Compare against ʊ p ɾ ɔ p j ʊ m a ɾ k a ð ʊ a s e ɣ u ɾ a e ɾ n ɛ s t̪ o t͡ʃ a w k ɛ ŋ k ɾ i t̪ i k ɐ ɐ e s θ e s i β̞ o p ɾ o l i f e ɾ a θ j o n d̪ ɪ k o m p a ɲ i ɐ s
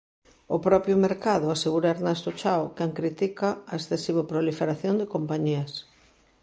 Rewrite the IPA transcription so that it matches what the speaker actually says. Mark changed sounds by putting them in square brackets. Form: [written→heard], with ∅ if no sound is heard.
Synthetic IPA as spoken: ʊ p ɾ ɔ p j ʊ m [a→e] ɾ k a ð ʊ a s e ɣ u ɾ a e ɾ n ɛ s t̪ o t͡ʃ a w k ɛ ŋ k ɾ i t̪ i k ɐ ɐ e s θ e s i β̞ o p ɾ o l i f e ɾ a θ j o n d̪ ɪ k o m p a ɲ i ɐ s